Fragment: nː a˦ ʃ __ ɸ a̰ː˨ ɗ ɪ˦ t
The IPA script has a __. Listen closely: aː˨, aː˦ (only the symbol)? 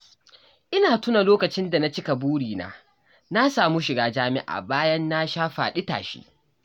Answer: aː˦